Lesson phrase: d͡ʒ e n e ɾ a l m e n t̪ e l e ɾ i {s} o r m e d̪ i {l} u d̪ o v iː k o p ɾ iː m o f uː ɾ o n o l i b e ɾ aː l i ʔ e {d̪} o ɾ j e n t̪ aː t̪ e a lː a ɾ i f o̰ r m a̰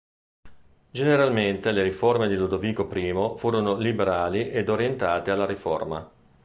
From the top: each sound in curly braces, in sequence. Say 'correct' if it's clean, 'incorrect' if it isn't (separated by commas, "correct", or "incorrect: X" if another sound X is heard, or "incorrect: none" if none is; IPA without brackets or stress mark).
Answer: incorrect: f, correct, correct